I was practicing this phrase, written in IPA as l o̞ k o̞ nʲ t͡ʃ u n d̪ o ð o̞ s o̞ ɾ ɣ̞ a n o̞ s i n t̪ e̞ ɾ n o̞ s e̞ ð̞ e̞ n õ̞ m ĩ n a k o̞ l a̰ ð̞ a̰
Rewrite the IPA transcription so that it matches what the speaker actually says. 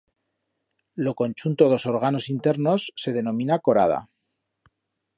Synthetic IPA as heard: l o̞ k o̞ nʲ t͡ʃ u n t̪ o ð o̞ s o̞ ɾ ɣ̞ a n o̞ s i n t̪ e̞ ɾ n o̞ sː e̞ ð̞ e̞ n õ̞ m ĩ n a k o̞ ɾ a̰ ð̞ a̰